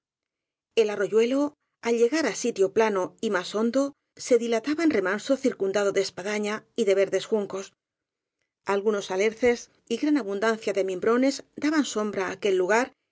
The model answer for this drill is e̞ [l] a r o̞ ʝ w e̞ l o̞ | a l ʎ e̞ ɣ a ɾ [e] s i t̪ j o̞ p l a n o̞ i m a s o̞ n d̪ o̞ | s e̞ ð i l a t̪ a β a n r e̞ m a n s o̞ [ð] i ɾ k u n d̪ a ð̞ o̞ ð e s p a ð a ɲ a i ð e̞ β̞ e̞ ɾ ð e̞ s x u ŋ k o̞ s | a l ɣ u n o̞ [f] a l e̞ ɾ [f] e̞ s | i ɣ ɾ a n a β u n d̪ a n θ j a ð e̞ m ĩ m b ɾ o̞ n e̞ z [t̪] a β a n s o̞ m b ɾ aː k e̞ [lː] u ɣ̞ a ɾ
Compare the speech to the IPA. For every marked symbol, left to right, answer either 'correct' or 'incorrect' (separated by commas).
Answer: correct, incorrect, incorrect, incorrect, incorrect, incorrect, correct